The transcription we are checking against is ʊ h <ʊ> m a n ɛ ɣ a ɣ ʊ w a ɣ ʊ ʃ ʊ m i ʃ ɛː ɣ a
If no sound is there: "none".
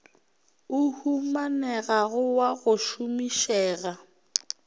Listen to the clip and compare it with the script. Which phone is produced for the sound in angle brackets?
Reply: u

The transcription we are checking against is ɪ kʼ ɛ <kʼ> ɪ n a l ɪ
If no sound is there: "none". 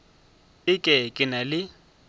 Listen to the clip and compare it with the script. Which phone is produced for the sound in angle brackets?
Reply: kʼ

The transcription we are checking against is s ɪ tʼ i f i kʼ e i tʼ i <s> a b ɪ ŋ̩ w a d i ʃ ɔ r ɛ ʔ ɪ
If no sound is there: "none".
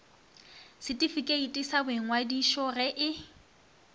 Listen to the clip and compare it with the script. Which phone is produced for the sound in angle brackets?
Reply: s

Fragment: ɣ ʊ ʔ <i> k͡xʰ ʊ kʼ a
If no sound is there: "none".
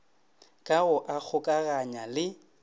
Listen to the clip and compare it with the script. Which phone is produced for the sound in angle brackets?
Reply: a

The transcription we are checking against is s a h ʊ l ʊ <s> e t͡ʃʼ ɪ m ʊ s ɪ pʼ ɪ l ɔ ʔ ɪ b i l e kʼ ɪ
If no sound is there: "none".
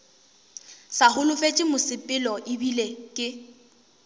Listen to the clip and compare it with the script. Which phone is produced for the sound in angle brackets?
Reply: f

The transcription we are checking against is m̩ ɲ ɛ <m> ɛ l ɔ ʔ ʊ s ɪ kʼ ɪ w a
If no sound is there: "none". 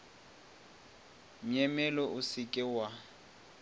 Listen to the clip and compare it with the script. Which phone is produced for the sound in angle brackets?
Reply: m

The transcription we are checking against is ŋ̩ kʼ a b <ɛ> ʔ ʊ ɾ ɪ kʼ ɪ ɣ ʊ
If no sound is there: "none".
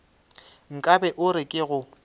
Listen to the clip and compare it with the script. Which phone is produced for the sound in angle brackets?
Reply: ɛ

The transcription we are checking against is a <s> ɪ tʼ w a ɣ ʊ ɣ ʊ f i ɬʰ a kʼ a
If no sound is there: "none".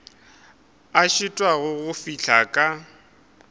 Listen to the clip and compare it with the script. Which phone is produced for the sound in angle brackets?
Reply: ʃ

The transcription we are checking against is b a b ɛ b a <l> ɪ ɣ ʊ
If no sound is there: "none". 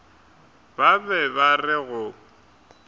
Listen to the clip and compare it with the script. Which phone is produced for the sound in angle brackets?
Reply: r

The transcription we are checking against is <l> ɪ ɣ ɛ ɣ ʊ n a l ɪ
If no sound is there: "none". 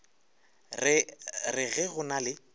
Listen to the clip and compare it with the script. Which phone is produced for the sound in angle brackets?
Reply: r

